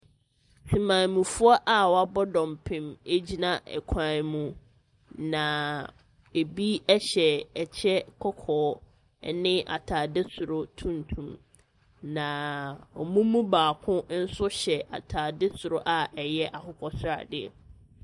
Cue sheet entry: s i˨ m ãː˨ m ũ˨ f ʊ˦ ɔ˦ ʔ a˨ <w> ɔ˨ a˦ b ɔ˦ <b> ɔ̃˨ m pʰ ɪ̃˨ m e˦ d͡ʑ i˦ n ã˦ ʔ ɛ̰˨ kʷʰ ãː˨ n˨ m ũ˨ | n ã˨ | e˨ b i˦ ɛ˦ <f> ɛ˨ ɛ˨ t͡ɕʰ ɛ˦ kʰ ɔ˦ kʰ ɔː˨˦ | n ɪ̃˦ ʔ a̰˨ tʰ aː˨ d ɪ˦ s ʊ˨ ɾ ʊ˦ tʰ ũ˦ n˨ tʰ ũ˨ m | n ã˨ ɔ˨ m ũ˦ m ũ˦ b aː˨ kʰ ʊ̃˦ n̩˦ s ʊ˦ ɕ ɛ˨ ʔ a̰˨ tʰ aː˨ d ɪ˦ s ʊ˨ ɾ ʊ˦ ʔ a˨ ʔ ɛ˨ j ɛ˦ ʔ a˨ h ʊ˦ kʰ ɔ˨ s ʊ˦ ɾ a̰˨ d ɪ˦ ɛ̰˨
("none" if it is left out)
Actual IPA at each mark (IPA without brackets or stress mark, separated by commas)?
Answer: w, d, ɕ